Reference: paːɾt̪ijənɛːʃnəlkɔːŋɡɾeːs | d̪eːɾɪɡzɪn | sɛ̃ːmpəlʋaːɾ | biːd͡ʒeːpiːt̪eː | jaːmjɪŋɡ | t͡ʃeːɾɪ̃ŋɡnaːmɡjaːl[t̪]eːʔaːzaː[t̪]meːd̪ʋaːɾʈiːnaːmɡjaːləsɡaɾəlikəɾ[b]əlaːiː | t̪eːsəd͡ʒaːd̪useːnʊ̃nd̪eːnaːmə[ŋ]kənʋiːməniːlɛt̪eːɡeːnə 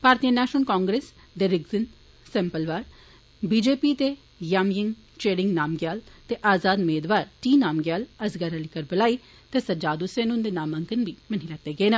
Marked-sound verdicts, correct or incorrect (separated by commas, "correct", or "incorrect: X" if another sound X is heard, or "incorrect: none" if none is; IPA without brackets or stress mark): correct, incorrect: d̪, correct, correct